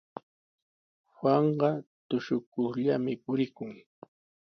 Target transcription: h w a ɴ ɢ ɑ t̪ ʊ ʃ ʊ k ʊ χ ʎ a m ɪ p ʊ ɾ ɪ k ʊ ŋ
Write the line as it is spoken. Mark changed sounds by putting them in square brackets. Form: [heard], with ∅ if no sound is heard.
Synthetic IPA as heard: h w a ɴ ɢ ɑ t̪ ʊ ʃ ʊ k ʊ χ ʎ a m ɪ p ʊ ɾ ɪ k ʊ ŋ